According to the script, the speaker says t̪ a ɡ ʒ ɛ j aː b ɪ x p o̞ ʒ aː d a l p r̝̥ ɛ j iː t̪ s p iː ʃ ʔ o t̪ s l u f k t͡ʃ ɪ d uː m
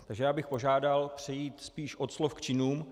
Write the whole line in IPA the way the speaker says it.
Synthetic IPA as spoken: t̪ a ɡ ʒ ɛ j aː b ɪ x p o̞ ʒ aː d a l p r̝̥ ɛ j iː t̪ s p iː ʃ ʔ o t̪ s l o f k t͡ʃ ɪ n uː m